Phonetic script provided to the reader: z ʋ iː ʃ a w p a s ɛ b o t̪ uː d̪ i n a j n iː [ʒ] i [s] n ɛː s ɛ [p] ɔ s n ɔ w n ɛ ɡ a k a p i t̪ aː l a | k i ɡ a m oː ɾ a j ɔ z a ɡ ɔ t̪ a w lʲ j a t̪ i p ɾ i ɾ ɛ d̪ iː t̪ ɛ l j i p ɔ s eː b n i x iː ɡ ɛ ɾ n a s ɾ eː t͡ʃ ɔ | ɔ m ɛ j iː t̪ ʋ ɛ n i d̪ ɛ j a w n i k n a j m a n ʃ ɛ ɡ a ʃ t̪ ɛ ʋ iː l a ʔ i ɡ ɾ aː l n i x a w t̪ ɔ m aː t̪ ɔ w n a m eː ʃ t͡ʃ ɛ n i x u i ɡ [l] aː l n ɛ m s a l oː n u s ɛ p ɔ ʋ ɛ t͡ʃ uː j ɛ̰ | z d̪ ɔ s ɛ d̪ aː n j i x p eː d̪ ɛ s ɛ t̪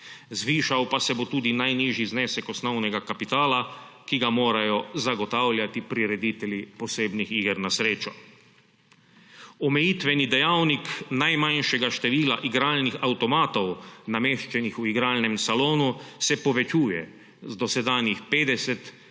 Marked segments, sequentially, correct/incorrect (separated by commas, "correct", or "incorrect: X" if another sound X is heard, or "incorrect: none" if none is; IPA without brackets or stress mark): correct, incorrect: z, incorrect: k, incorrect: ɾ